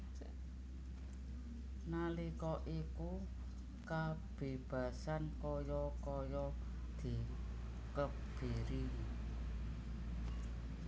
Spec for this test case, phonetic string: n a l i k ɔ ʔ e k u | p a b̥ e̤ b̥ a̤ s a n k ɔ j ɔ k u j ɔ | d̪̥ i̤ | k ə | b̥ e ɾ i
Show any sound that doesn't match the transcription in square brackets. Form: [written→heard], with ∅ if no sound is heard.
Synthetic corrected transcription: n a l i k ɔ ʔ [e→i] k u | [p→k] a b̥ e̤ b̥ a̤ s a n k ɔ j ɔ k [u→ɔ] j ɔ | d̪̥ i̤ | k ə | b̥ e ɾ i